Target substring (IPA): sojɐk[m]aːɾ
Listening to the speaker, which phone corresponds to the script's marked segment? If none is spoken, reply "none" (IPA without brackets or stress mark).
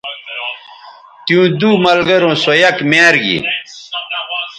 m